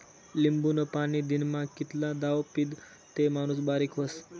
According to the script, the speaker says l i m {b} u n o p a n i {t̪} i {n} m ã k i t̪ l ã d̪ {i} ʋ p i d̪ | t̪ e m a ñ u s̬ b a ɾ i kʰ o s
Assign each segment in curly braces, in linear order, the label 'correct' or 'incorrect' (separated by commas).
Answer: correct, incorrect, correct, incorrect